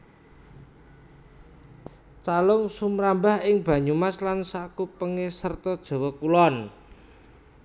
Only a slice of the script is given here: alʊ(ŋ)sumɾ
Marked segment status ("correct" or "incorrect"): correct